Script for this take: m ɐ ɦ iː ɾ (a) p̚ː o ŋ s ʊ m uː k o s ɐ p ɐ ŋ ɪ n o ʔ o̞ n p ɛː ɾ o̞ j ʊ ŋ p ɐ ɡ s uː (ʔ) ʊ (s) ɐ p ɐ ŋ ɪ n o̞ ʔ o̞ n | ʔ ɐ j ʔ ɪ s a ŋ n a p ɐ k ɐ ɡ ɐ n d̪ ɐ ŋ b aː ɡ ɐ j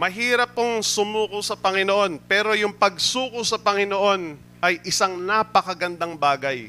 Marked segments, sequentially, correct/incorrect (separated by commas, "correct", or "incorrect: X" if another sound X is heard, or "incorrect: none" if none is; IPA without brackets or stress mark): incorrect: ɐ, incorrect: k, correct